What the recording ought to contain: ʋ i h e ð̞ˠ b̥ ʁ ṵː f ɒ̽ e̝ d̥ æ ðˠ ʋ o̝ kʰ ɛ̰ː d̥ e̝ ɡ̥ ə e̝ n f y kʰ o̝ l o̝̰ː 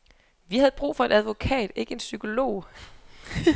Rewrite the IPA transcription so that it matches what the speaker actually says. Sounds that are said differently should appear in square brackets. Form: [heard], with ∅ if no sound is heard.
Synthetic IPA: ʋ i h [æ] ð̞ˠ b̥ ʁ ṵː f ɒ̽ e̝ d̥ æ ðˠ ʋ o̝ kʰ ɛ̰ː d̥ e̝ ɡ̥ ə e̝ n [s] y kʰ o̝ l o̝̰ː